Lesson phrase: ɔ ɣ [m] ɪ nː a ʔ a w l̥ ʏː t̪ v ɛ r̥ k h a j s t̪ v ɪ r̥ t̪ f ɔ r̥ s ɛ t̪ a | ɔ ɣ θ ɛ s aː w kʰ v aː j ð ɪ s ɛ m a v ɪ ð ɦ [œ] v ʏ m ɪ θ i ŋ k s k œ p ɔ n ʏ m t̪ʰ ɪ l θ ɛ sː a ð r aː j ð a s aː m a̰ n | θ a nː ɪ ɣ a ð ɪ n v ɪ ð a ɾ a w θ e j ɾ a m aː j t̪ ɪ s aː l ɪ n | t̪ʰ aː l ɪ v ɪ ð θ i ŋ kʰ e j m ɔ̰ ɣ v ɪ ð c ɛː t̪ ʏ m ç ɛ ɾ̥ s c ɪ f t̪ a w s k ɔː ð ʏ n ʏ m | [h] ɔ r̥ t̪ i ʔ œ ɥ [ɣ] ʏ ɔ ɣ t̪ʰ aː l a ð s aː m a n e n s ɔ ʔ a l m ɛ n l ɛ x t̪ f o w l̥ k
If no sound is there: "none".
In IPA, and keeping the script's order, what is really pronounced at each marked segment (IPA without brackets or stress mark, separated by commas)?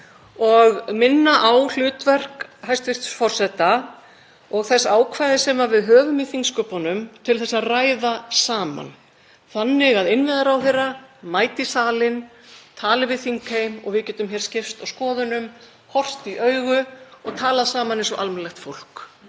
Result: m, œː, h, ɣ